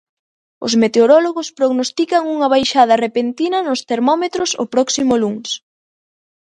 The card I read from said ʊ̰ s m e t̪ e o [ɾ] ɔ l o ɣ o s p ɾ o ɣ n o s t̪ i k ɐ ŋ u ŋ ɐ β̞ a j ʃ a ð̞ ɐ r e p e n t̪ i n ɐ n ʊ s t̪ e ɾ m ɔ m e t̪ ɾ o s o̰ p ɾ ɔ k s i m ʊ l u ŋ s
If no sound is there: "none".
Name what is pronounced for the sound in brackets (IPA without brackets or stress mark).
ɾ